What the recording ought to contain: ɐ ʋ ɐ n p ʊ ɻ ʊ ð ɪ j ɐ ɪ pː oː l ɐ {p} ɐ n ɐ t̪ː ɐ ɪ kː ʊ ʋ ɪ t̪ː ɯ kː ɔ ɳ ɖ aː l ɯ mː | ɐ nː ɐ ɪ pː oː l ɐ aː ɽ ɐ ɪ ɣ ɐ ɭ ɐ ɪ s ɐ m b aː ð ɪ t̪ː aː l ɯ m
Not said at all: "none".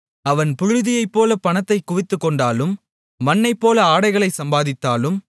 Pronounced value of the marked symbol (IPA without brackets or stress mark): p